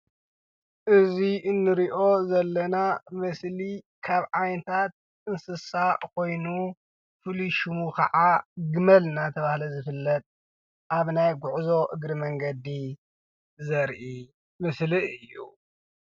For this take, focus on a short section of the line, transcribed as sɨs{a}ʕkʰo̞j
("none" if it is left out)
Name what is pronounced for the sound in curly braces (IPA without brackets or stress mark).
a